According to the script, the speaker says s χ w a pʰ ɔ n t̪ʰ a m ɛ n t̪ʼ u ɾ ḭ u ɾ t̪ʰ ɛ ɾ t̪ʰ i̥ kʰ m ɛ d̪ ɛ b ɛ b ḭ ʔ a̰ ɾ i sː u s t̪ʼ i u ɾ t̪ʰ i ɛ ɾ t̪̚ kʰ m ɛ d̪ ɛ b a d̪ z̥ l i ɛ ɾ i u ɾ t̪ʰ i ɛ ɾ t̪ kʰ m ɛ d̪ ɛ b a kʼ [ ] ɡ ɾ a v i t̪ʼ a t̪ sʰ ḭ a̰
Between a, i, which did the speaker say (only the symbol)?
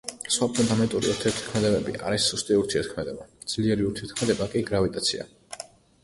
i